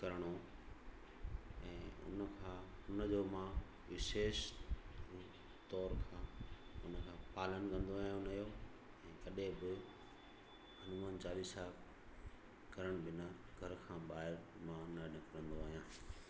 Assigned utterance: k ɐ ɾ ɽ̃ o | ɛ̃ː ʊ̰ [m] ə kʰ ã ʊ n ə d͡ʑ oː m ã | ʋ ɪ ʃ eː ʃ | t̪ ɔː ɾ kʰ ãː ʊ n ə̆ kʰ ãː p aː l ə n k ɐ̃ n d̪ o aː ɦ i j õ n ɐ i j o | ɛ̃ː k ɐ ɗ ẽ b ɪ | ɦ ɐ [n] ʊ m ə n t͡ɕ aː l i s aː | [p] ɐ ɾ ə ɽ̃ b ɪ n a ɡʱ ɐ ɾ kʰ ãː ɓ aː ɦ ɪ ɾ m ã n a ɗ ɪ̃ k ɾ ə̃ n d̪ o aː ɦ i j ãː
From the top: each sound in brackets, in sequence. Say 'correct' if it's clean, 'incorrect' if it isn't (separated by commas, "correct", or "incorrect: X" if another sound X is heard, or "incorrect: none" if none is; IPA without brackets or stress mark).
incorrect: n, correct, incorrect: k